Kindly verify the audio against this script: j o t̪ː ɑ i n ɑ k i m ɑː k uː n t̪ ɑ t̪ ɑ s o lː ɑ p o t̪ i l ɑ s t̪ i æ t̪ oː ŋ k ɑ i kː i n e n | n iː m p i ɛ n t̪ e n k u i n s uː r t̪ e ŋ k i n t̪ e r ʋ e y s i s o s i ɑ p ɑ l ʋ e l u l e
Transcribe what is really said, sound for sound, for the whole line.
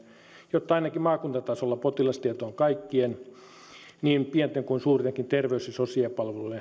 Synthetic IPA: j o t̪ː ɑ i n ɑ k i m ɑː k u n t̪ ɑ t̪ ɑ s o lː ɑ p o t̪ i l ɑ s t̪ i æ t̪ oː ŋ k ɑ i kː i e n | n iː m p i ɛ n t̪ e ŋ k u i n s uː r t̪ e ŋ k i n t̪ e r ʋ e y s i s o s i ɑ p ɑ l ʋ e l u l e